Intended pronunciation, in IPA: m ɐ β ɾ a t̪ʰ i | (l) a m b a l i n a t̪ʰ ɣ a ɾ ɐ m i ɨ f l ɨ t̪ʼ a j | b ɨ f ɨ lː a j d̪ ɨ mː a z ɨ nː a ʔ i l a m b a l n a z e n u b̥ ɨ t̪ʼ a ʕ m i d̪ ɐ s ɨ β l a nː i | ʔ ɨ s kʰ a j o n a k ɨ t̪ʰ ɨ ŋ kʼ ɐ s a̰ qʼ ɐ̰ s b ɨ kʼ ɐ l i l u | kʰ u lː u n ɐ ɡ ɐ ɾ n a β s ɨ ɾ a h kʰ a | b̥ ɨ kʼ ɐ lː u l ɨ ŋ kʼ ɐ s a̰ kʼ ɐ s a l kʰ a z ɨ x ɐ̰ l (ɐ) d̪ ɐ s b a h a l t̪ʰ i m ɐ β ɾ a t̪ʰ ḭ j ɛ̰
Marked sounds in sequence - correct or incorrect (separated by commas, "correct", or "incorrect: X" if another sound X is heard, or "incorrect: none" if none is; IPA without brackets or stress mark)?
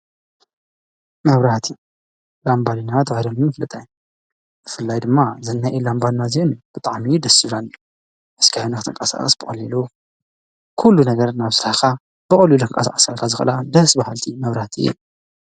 correct, incorrect: a